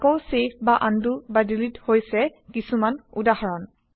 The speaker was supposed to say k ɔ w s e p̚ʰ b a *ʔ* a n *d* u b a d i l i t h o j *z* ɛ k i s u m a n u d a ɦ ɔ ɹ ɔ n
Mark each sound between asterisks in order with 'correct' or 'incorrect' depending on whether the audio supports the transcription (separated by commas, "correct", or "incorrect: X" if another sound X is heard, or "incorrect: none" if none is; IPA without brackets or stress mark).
correct, correct, incorrect: s